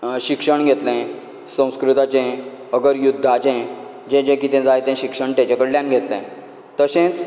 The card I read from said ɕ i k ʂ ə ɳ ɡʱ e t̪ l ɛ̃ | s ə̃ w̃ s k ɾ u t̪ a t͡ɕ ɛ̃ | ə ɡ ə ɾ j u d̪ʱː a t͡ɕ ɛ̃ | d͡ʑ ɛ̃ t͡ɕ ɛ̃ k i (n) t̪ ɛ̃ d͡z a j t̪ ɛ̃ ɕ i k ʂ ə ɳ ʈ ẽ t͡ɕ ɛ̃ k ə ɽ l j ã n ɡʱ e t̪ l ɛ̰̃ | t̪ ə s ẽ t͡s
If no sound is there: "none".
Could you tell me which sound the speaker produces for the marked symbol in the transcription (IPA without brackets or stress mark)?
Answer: none